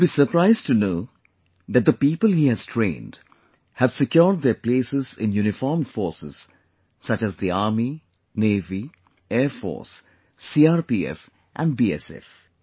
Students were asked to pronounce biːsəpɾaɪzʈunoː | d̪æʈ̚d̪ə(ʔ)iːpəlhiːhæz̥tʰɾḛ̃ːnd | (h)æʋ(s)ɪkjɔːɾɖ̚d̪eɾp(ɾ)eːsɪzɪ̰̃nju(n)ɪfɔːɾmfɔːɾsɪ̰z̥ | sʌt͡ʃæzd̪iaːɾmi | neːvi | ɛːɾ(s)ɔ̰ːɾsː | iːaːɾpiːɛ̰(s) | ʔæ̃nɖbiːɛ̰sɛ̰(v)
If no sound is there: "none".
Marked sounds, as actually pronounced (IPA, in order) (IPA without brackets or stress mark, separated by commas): p, h, s, l, n, f, f, f